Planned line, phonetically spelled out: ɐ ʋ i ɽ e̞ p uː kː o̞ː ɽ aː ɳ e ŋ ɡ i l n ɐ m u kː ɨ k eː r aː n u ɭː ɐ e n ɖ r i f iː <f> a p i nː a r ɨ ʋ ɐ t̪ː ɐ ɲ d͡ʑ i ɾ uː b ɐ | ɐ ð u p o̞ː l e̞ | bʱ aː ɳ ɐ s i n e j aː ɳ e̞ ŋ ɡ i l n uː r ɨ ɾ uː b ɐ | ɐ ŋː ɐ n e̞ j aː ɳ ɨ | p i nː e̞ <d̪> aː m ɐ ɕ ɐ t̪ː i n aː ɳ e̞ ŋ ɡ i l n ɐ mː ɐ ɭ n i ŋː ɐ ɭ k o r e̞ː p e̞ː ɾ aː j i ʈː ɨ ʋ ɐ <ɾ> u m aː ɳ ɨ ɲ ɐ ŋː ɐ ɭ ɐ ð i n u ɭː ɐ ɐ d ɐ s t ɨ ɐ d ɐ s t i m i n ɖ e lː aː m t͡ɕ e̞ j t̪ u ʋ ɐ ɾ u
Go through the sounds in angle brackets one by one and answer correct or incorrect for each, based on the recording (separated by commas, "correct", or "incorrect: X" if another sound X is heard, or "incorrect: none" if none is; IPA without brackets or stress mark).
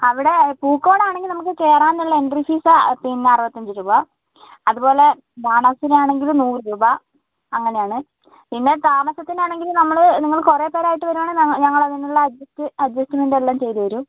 incorrect: s, incorrect: t̪, correct